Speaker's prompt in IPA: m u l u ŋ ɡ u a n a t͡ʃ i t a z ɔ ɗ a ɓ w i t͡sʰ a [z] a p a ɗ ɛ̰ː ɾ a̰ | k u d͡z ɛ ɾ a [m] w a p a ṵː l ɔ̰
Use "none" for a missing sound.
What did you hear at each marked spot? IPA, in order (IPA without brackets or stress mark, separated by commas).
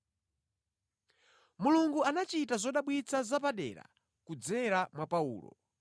z, m